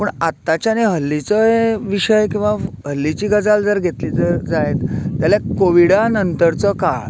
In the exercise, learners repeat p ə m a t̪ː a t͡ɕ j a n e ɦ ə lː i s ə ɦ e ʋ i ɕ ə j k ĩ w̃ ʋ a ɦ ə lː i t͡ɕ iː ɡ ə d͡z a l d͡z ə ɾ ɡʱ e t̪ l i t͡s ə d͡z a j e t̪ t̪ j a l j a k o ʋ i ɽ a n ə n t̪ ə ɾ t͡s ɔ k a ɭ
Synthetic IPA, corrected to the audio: p ə ɳ a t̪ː a t͡ɕ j a n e ɦ ə lː i t͡s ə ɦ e ʋ i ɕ ə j k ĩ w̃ ʋ a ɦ ə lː i t͡ɕ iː ɡ ə d͡z a l d͡z ə ɾ ɡʱ e t̪ l i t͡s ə d͡z a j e t̪ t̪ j a l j a k o ʋ i ɽ a n ə n t̪ ə ɾ t͡s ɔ k a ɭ